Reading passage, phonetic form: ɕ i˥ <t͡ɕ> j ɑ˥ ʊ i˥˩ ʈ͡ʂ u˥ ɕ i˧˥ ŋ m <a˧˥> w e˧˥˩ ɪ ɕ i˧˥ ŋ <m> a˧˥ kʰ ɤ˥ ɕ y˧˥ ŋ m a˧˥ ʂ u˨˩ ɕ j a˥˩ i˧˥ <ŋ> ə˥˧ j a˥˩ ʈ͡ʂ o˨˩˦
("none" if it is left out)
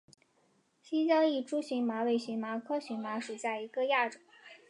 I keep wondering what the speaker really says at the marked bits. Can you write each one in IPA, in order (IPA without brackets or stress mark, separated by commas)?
t͡ɕ, a˧˥, m, ɡ